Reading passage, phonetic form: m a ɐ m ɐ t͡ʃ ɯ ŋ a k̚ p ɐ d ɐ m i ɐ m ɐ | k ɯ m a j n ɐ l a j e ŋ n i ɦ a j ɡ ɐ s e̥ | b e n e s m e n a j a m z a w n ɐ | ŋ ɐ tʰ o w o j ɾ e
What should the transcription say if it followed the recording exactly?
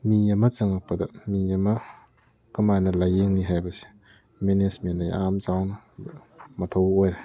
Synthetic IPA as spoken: m i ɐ m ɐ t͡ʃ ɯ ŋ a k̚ p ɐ d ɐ m i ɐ m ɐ | k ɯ m a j n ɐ l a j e ŋ n i ɦ a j b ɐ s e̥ | m e n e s m e n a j a m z a w n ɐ | m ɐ tʰ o w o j ɾ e